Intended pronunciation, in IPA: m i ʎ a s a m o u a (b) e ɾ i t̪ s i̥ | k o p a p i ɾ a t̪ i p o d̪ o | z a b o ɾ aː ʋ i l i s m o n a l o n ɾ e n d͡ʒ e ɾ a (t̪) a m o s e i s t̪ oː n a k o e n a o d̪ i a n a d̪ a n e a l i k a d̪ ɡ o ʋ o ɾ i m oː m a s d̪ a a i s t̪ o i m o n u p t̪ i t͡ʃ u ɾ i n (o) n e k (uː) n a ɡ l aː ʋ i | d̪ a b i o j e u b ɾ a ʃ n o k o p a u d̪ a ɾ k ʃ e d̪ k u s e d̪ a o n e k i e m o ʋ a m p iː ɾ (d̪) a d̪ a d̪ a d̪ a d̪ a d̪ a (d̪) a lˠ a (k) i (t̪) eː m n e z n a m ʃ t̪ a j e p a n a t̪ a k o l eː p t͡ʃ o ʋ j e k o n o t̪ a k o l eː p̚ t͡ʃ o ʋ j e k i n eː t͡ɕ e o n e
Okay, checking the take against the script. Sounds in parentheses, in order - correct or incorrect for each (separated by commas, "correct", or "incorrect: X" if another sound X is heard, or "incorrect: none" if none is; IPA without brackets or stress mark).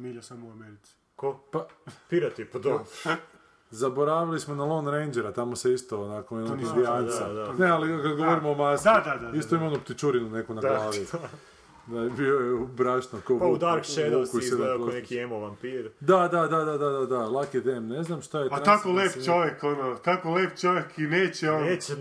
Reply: incorrect: m, correct, incorrect: u, incorrect: u, correct, correct, correct, incorrect: d̪